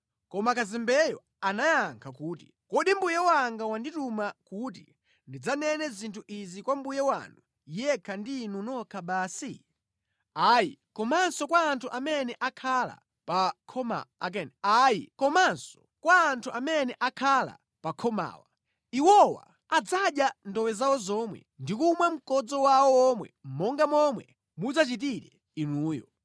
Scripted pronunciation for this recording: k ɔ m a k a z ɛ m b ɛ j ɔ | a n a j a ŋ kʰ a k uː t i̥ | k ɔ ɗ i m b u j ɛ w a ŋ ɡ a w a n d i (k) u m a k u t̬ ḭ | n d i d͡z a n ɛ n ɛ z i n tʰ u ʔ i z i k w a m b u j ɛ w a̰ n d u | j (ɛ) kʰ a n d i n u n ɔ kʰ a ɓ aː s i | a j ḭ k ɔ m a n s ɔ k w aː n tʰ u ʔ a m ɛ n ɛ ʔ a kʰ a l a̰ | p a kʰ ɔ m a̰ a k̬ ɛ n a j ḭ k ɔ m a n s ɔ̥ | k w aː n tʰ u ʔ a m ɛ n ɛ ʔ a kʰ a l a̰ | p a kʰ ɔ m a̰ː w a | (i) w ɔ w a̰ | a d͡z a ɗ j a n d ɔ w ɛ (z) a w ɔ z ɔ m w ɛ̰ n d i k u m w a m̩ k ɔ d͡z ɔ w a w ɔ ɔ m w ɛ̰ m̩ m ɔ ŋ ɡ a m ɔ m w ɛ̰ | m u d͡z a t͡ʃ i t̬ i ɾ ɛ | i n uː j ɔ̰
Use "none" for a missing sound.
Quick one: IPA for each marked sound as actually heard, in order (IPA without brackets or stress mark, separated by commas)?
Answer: t, ɛ, i, z